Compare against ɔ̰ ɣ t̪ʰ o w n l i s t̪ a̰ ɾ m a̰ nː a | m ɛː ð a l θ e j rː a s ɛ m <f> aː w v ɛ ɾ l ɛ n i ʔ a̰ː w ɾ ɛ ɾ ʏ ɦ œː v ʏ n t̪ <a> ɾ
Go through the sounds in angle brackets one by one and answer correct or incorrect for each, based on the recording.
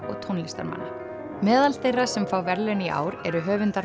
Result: correct, correct

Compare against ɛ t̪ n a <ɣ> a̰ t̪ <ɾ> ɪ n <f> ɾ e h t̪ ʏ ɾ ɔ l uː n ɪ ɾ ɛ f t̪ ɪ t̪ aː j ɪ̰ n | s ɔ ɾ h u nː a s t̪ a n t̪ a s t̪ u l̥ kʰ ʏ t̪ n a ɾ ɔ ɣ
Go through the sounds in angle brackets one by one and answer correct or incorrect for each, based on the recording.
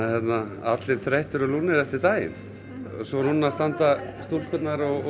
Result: incorrect: none, incorrect: l, incorrect: θ

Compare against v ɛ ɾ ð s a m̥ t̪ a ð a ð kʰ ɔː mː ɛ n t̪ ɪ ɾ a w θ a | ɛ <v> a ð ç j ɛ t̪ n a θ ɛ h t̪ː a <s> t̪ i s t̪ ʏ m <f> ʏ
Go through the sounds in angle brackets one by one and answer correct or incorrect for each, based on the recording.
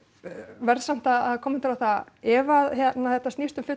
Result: correct, correct, correct

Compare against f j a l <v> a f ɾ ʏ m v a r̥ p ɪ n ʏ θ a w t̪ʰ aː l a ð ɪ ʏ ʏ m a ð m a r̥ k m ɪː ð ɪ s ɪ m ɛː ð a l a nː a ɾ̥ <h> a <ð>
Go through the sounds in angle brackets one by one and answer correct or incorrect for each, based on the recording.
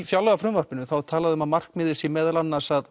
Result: incorrect: ɣ, incorrect: s, correct

